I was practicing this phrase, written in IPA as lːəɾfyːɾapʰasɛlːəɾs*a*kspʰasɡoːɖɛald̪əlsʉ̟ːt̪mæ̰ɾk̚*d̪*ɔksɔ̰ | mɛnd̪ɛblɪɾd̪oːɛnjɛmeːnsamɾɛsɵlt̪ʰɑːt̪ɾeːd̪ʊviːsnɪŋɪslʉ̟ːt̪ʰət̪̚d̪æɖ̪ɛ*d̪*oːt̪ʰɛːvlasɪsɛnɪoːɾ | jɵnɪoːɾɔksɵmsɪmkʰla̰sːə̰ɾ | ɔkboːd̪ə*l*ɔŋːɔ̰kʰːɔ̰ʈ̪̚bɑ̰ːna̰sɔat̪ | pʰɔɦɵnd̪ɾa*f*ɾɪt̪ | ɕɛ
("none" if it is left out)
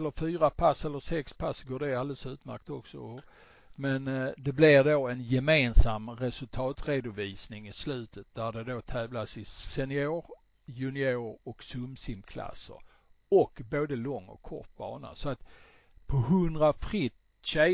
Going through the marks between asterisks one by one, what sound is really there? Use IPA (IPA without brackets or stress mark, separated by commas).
ɛ, t̪, d̪, l, f